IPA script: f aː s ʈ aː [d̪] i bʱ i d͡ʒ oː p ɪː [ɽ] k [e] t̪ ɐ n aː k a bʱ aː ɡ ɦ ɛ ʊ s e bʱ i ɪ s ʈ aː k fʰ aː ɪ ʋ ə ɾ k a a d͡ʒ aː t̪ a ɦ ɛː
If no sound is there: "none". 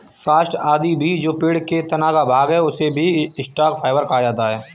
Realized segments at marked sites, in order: d̪, ɽ, e

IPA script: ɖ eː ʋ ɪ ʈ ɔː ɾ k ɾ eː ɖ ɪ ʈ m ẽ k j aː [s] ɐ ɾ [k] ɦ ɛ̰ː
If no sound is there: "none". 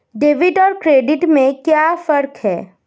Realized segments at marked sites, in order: f, k

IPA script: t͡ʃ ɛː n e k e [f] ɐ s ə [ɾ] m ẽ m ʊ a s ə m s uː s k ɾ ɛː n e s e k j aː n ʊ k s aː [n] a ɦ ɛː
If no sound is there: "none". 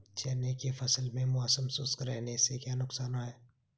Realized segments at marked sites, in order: f, l, n

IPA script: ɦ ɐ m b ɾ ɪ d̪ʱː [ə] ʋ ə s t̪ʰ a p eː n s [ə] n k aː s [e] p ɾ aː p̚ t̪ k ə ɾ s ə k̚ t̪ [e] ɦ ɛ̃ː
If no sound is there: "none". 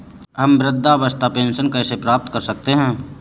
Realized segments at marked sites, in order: a, ə, e, e

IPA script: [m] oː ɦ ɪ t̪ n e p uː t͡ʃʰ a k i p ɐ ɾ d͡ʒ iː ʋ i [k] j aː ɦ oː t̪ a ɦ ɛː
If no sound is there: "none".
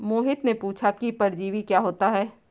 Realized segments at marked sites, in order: m, k

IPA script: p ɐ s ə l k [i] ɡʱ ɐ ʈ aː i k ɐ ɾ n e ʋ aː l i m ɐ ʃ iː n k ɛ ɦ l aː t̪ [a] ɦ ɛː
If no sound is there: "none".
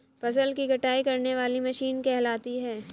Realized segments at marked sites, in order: i, i

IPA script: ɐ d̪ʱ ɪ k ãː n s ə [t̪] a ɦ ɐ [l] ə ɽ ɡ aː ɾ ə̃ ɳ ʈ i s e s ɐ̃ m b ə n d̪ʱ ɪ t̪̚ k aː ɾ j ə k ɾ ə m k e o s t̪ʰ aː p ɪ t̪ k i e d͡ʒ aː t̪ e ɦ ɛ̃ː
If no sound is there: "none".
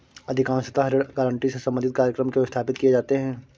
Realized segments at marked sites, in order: t̪, ɾ

